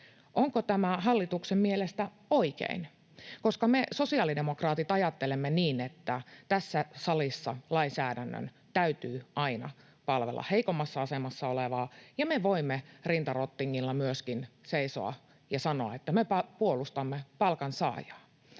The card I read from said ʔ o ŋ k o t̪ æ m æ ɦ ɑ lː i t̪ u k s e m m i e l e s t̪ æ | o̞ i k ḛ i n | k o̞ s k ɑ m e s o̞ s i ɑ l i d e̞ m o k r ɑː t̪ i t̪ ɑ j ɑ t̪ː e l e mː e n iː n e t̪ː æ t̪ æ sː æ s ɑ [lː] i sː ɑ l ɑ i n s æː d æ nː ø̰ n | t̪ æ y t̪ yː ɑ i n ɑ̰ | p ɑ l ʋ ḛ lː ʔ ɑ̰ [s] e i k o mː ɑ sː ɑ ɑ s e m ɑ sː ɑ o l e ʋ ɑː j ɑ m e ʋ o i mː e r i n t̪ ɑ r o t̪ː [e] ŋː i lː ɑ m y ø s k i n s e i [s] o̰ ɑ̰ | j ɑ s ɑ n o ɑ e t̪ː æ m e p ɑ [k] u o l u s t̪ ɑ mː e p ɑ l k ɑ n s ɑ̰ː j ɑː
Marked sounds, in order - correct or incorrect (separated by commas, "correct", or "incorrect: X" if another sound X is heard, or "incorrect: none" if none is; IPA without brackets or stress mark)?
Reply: incorrect: l, incorrect: h, incorrect: i, correct, incorrect: p